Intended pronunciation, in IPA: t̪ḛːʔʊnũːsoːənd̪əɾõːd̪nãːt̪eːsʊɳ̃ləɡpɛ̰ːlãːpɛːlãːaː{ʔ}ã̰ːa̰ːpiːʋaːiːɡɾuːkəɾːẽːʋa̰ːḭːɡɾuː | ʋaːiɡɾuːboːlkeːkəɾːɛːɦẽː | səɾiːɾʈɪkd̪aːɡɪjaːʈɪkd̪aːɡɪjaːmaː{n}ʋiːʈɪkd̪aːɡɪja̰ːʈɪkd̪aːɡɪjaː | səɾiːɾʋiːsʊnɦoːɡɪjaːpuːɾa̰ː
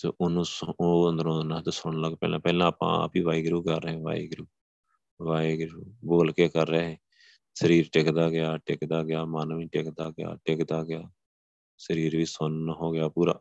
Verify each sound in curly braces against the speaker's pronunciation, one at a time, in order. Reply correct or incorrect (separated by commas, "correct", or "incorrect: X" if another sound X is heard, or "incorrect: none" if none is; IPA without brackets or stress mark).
incorrect: p, correct